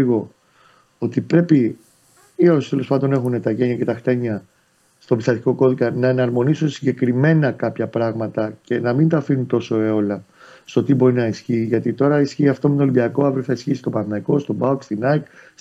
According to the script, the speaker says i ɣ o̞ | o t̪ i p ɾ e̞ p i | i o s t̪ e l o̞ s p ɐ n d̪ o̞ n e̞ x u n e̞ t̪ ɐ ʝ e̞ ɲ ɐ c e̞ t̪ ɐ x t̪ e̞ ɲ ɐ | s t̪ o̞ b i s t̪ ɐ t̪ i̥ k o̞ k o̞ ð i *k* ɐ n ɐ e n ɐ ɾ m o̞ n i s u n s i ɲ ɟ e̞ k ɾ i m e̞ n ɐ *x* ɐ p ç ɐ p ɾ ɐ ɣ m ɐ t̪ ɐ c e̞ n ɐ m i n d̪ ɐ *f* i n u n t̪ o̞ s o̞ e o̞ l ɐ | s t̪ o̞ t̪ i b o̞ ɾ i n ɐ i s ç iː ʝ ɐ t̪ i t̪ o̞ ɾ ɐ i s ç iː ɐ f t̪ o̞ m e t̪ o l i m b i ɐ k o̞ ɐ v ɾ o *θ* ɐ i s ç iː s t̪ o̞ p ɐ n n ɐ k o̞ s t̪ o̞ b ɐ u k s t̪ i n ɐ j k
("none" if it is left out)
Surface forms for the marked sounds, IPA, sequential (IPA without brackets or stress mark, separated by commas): k, k, f, θ